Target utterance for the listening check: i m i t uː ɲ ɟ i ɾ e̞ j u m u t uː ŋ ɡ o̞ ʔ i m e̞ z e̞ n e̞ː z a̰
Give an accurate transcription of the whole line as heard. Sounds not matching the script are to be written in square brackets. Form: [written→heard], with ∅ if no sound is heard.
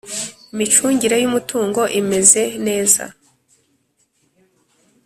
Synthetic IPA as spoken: i m i [t→t͡ʃ] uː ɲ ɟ i ɾ e̞ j u m u t uː ŋ ɡ o̞ ʔ i m e̞ z e̞ n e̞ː z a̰